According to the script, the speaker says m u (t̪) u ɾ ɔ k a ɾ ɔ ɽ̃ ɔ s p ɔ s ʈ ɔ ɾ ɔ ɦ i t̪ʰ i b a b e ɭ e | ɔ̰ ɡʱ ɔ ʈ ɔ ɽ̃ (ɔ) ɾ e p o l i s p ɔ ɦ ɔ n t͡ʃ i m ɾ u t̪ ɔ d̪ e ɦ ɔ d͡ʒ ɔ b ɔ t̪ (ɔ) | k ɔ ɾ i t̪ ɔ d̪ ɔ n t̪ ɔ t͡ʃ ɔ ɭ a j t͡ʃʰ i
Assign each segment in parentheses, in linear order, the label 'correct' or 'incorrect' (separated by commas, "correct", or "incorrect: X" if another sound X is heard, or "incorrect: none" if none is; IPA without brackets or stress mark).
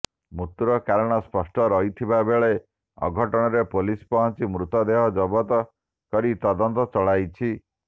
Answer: correct, correct, correct